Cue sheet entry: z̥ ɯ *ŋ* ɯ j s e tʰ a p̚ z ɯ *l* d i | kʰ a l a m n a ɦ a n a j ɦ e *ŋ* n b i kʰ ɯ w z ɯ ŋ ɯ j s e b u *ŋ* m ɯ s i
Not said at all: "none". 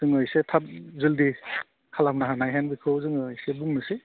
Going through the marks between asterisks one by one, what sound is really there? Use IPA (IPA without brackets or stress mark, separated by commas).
ŋ, l, none, ŋ